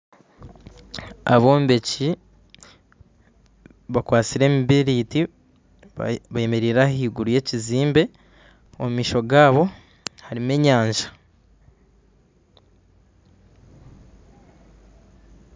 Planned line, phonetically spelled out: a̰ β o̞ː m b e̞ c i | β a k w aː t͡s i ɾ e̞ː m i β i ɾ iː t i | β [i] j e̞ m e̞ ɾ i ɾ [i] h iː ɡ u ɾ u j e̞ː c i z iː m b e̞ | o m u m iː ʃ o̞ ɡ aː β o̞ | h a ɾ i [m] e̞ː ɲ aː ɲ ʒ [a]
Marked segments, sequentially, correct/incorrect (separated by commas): incorrect, incorrect, correct, correct